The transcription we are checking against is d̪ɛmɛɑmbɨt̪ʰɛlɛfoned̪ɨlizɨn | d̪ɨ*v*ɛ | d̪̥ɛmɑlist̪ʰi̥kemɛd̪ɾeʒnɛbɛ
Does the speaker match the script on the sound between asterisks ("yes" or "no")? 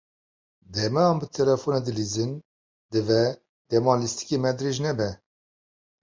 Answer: yes